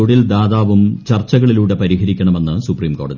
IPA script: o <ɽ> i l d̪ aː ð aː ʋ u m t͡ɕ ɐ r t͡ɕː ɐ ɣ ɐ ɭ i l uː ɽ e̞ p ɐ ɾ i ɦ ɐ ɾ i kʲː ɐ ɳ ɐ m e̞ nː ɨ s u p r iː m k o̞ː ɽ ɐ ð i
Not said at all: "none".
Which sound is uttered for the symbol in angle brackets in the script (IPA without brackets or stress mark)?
ɽ